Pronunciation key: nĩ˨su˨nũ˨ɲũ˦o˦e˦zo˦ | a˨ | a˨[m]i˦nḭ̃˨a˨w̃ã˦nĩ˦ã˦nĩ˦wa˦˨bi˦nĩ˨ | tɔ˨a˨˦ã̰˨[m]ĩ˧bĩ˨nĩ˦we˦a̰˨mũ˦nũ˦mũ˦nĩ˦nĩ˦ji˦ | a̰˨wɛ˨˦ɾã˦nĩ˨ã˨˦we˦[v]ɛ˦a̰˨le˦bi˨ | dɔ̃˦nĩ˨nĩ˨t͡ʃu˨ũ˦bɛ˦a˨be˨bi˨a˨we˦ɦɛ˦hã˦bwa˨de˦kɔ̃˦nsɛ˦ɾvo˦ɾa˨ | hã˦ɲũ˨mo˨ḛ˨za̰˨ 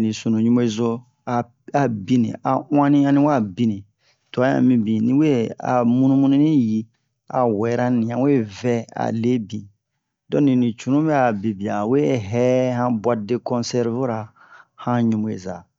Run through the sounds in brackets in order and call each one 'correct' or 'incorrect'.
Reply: incorrect, correct, correct

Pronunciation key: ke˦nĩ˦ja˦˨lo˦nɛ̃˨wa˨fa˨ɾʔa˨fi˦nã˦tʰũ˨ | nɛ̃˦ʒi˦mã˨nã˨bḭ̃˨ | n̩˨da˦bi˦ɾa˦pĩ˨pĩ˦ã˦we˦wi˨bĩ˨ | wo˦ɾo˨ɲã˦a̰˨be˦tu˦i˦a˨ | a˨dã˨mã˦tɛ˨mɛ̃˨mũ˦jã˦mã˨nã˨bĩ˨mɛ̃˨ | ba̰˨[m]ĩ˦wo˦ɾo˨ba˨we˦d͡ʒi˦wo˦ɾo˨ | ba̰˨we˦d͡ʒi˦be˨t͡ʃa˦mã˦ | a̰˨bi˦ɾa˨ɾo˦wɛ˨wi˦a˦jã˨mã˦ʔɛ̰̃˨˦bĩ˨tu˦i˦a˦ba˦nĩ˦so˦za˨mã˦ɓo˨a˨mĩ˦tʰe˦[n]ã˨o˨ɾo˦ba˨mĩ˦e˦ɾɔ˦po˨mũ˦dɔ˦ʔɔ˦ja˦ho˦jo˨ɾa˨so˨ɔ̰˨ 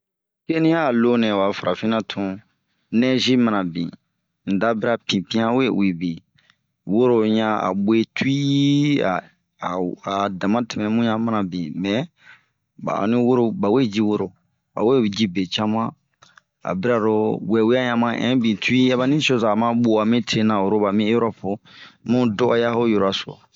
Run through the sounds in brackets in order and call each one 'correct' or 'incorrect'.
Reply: incorrect, correct

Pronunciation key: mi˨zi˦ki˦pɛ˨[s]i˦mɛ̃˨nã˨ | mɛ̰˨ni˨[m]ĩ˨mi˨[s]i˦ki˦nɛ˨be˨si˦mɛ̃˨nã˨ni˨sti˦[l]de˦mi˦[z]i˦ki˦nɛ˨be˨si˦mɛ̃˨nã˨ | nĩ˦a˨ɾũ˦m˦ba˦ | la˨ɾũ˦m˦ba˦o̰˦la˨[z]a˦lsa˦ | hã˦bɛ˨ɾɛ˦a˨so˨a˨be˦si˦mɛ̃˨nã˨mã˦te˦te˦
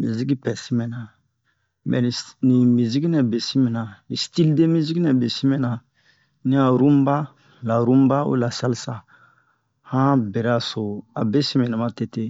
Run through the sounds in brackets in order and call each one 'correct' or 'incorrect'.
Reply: correct, incorrect, incorrect, correct, correct, incorrect

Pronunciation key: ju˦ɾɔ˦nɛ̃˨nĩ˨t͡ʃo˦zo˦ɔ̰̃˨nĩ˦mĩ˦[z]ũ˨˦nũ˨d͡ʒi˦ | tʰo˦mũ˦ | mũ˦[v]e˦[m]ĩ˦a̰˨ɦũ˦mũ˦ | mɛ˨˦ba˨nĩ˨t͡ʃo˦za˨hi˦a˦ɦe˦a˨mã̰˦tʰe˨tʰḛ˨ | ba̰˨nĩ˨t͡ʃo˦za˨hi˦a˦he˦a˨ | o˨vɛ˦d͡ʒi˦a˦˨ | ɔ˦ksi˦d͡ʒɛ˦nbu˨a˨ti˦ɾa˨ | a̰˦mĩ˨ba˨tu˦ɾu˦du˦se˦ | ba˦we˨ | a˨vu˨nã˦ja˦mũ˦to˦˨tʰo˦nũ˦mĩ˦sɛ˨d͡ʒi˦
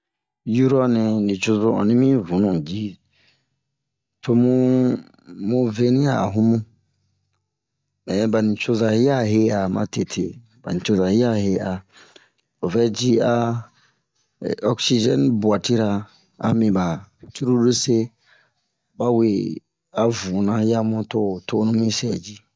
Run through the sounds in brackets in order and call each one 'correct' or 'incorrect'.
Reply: incorrect, correct, incorrect

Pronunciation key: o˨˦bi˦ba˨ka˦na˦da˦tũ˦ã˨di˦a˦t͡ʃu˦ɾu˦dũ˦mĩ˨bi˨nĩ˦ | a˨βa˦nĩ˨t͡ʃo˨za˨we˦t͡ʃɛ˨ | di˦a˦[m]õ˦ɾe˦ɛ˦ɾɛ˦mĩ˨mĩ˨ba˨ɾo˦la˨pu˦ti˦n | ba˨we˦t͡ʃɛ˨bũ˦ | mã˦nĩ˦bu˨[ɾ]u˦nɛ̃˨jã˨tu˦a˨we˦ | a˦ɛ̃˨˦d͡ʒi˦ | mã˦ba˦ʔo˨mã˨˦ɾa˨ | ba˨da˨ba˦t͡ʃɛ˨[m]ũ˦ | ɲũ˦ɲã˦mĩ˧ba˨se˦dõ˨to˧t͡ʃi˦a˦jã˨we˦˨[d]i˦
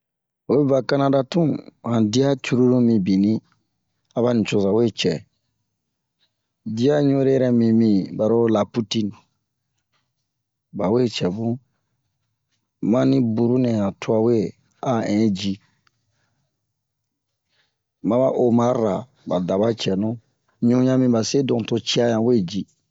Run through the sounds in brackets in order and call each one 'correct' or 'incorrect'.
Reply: incorrect, correct, incorrect, incorrect

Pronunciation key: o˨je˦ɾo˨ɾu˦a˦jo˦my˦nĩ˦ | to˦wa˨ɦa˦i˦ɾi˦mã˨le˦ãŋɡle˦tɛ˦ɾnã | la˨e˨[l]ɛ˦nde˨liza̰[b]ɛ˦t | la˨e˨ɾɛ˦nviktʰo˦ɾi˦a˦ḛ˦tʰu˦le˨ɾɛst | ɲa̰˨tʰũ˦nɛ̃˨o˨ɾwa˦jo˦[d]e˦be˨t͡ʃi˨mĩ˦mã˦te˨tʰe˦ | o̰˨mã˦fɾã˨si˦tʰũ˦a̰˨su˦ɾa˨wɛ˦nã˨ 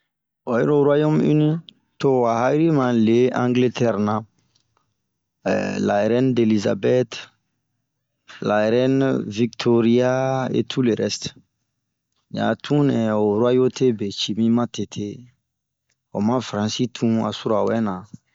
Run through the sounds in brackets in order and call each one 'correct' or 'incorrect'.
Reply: incorrect, correct, incorrect

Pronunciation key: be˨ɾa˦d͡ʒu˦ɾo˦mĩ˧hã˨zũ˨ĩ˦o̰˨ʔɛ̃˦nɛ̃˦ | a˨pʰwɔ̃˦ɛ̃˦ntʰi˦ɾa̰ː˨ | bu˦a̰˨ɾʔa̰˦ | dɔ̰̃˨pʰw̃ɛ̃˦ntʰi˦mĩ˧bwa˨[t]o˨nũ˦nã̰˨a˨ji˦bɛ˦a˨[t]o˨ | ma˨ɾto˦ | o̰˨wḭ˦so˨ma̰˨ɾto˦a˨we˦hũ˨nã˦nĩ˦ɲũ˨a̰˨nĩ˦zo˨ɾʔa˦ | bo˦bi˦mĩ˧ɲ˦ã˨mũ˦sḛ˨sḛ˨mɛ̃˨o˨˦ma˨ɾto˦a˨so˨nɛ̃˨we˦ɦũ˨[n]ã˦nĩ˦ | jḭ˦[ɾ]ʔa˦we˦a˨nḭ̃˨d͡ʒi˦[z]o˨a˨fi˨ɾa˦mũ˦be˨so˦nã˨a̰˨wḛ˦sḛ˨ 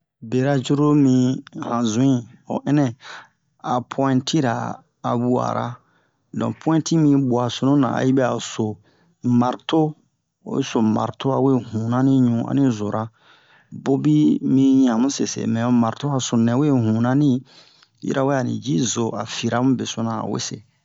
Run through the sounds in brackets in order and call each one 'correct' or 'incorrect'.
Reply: incorrect, incorrect, correct, correct, correct

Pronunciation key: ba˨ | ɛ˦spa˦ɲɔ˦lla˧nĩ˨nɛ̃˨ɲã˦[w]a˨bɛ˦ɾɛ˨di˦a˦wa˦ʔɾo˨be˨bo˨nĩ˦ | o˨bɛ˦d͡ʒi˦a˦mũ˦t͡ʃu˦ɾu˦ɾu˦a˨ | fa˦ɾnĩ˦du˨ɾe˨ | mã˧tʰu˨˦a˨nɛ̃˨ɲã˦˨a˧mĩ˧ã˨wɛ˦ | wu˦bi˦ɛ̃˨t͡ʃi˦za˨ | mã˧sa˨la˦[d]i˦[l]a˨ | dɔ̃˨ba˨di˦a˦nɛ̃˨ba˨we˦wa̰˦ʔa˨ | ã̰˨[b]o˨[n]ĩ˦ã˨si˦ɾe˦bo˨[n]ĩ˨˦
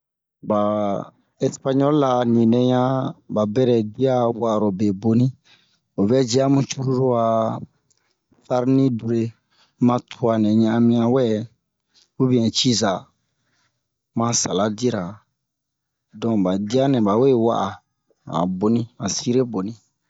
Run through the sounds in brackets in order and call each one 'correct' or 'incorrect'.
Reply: incorrect, correct, incorrect, correct, correct, correct

